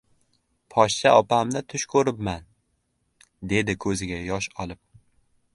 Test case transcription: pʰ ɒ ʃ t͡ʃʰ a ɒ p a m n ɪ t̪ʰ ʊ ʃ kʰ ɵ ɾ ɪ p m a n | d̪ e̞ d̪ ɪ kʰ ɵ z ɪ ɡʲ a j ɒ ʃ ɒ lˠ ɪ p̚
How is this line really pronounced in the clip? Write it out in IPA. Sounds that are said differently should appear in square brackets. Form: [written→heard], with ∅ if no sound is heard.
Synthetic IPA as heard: pʰ ɒ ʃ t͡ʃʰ a ɒ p a m n ɪ t̪ʰ ʊ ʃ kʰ ɵ ɾ ɪ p m a n | d̪ e̞ d̪ ɪ kʰ ɵ z ɪ ɡʲ a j ɒ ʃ ɒ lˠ ɪ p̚